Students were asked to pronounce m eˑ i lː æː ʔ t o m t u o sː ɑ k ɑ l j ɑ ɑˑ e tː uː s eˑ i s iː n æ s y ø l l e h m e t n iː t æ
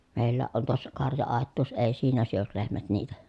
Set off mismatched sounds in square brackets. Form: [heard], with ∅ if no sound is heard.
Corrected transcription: m eˑ i lː æː ʔ [ʔ] o [n] t u o sː ɑ k ɑ [r] j ɑ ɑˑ e tː uː s eˑ i s iː n æ s y ø l l e h m [æ] t n iː t æ